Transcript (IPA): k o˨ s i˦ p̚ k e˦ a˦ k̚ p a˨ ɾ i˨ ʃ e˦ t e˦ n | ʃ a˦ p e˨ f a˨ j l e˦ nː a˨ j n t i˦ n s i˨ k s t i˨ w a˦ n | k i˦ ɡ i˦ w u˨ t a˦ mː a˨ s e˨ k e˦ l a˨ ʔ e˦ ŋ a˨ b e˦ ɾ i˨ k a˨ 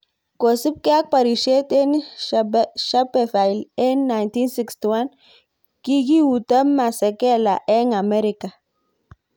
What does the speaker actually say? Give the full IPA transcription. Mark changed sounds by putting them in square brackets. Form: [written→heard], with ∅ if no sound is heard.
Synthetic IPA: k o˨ s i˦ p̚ k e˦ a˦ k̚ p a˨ ɾ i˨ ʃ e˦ t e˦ n | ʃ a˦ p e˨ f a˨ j l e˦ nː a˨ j n t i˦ n s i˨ k s t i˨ w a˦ n | k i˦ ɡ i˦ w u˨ t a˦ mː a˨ s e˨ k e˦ l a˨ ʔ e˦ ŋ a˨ [b→m] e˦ ɾ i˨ k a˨

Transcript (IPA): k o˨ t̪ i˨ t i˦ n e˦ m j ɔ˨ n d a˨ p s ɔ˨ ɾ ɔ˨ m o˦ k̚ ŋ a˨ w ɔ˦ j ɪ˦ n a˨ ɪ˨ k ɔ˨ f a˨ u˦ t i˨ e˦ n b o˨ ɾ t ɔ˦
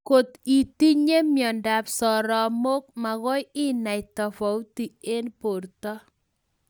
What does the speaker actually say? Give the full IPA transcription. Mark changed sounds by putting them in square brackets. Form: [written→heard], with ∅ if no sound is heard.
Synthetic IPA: k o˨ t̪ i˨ t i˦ [n→ɲ] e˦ m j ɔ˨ n d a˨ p s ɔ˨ ɾ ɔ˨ m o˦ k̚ [ŋ→m] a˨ [w→ɣ] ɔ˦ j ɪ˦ n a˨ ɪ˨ [k→t] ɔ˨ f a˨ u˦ t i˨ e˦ n [b→p] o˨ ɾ t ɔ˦

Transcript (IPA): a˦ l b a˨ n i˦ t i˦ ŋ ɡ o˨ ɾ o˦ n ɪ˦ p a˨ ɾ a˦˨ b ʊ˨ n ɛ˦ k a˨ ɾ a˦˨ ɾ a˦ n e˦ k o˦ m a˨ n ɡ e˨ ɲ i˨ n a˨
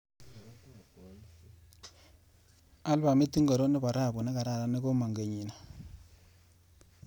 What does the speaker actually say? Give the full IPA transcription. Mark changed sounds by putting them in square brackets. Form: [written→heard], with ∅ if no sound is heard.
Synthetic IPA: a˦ l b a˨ [n→m] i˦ t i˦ ŋ ɡ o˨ ɾ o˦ n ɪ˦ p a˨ ɾ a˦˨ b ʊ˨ n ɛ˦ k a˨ ɾ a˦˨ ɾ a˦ n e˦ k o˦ m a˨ [n→ŋ] ɡ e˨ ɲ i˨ n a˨

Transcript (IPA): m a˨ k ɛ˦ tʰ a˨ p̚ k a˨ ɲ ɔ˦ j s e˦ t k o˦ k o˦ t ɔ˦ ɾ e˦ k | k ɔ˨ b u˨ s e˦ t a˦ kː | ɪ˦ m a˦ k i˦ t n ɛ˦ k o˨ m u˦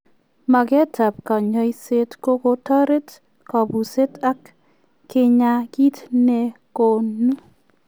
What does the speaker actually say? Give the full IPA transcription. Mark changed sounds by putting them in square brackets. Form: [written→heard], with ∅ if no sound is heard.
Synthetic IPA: m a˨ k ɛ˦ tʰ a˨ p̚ k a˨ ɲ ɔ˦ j s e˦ t k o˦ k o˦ t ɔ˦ ɾ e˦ [k→t] | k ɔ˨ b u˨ s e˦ t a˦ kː | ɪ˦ [m→ɲ] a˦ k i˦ t n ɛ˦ k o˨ [m→n] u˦

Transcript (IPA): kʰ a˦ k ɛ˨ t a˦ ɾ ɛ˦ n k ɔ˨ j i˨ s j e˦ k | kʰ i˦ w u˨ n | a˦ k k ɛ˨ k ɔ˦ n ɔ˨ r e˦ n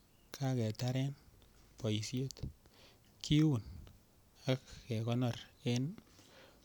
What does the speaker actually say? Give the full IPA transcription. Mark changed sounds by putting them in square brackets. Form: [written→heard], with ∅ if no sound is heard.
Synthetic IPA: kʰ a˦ k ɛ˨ t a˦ ɾ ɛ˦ n [k→p] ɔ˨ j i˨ s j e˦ [k→t] | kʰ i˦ w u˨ n | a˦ k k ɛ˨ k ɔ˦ n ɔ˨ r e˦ n

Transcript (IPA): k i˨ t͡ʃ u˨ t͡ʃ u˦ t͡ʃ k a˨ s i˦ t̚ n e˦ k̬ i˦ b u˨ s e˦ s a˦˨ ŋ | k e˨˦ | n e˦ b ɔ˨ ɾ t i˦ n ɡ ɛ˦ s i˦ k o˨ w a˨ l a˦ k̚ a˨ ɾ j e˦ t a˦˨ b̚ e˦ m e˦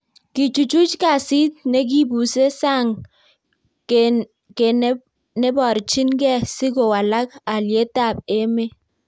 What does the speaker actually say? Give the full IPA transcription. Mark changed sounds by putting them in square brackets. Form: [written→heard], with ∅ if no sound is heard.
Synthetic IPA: k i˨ t͡ʃ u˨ t͡ʃ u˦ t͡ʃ k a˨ s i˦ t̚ n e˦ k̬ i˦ b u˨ s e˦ s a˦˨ ŋ | k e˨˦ | n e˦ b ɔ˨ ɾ [t→t͡ʃ] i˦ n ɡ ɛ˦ s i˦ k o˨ w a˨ l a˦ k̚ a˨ [ɾ→l] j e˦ t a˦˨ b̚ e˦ m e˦

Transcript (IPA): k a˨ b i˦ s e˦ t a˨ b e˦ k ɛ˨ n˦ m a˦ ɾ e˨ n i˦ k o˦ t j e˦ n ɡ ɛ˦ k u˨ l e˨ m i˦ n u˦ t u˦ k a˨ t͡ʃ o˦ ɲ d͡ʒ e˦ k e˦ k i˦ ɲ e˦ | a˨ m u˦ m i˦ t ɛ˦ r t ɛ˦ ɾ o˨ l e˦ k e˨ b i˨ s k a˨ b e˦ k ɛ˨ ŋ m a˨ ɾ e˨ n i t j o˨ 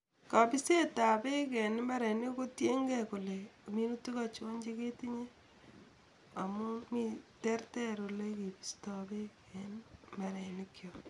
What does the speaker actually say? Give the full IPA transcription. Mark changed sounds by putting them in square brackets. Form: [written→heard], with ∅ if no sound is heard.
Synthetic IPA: k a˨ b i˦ s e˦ t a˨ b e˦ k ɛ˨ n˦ m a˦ ɾ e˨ n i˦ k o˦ t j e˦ [n→ŋ] ɡ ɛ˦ k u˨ l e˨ m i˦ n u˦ t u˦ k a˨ t͡ʃ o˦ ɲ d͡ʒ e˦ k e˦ [k→t] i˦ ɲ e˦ | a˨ m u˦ m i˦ t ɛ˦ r t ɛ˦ ɾ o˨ l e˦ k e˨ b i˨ s [k→t] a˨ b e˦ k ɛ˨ [ŋ→n] m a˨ ɾ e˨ n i [t→k] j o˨

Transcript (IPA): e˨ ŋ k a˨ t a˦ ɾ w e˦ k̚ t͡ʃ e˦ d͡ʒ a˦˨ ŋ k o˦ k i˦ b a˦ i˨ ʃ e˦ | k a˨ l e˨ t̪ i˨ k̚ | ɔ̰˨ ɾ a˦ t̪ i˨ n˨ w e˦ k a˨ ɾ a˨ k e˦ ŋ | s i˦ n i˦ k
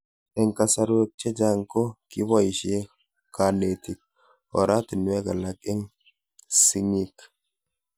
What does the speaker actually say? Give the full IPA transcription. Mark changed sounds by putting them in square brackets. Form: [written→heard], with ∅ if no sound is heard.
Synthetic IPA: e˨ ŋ k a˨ [t→s] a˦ ɾ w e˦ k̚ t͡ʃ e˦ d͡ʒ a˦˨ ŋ k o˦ k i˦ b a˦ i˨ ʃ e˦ | k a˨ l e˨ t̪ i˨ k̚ | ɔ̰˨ ɾ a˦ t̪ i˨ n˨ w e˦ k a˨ [ɾ→l] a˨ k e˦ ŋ | s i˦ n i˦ k

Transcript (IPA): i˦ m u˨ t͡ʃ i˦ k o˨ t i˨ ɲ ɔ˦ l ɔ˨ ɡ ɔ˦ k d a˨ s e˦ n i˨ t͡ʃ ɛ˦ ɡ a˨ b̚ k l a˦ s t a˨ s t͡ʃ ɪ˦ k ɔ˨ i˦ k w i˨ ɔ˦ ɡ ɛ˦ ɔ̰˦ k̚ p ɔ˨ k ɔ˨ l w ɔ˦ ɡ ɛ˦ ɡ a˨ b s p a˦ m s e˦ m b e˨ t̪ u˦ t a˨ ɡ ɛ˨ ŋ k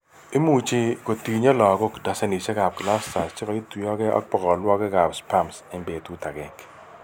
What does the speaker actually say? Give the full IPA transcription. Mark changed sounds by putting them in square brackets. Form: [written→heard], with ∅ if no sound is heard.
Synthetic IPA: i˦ m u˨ t͡ʃ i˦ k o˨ t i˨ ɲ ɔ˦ l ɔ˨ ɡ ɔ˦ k d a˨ s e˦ n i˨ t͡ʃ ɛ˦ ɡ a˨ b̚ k l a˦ s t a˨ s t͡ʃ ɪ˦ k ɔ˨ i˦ [k→t] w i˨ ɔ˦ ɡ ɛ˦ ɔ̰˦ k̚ p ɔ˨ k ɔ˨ l w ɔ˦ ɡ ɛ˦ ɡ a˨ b s p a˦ m s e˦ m b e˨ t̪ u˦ t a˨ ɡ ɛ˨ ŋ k

